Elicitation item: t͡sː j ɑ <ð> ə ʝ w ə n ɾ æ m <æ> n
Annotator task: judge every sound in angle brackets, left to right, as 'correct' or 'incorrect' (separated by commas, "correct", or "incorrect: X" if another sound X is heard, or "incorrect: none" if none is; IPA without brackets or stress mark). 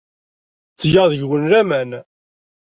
correct, correct